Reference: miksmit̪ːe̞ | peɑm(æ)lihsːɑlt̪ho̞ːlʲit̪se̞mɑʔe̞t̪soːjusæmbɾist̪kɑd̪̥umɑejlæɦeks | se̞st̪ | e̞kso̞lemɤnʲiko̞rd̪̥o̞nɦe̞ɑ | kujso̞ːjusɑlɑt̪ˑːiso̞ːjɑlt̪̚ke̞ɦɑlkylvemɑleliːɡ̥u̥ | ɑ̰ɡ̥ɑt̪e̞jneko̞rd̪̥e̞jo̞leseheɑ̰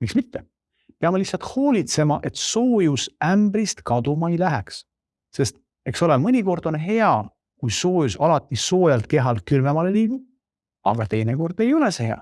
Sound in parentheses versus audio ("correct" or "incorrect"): incorrect